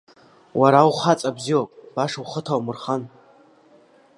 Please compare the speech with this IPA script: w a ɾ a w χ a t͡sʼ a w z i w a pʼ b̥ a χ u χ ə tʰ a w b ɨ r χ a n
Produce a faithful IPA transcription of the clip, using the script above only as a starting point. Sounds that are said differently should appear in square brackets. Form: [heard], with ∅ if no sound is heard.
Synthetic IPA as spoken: w a ɾ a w χ a t͡sʼ a [b] z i w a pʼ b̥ a [ʂ] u χ ə tʰ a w [m] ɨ r χ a n